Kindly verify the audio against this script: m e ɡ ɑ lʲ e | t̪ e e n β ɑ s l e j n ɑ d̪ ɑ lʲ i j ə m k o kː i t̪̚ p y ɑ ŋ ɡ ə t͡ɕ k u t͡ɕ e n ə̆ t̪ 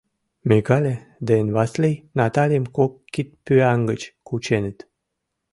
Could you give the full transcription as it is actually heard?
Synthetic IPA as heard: m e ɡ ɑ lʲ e | d̪ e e n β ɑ s l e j n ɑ t̪ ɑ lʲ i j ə m k o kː i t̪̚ p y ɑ ŋ ɡ ə t͡ɕ k u t͡ɕ e n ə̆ t̪